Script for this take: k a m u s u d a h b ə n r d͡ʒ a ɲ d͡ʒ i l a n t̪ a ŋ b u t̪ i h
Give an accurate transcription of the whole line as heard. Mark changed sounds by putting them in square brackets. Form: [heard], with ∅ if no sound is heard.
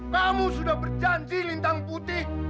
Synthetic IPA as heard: k a m u s u d a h b ə [∅] r d͡ʒ a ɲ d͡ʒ i l [i] n t̪ a ŋ [p] u t̪ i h